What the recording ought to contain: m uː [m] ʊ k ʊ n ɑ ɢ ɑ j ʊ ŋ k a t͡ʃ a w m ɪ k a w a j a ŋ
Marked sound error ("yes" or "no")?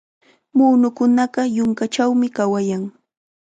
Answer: yes